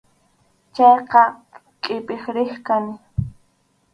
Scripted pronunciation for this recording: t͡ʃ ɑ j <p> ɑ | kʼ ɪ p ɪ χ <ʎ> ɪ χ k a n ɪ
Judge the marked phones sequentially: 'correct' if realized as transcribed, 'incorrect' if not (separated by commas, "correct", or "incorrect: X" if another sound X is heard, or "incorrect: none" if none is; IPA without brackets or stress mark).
incorrect: q, incorrect: ɾ